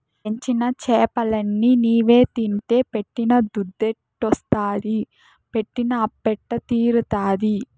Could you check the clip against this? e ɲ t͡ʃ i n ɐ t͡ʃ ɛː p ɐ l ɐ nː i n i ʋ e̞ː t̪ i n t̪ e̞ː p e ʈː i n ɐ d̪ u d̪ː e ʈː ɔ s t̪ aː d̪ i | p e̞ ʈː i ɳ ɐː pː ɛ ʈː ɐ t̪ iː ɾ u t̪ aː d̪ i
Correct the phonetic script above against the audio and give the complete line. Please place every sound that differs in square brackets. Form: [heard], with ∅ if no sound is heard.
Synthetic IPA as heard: e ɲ t͡ʃ i n ɐ t͡ʃ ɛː p ɐ l ɐ nː i n [iː] ʋ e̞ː t̪ i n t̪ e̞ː p e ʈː i n ɐ d̪ u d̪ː e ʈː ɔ s t̪ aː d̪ i | p e̞ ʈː i [n] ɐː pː ɛ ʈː ɐ t̪ iː ɾ u t̪ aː d̪ i